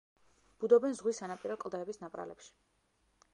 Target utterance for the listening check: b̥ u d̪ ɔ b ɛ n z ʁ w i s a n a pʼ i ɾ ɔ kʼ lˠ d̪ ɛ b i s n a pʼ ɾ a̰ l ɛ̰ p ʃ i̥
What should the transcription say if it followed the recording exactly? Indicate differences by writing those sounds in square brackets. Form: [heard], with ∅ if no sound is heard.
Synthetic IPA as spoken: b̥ u d̪ ɔ b ɛ n z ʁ w i s a n a pʼ i ɾ ɔ kʼ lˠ d̪ ɛ b i s n a pʼ ɾ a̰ l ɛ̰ p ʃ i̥